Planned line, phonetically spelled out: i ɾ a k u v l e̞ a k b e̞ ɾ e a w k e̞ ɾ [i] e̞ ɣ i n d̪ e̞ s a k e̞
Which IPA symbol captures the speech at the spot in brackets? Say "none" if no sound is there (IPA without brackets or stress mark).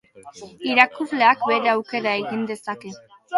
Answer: a